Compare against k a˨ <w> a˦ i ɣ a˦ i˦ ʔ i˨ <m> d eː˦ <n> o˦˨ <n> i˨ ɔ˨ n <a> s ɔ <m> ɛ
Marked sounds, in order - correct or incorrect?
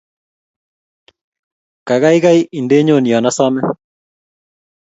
incorrect, incorrect, incorrect, correct, correct, correct

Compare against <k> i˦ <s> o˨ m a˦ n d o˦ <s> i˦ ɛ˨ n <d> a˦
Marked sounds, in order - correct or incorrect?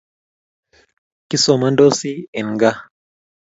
correct, correct, correct, incorrect

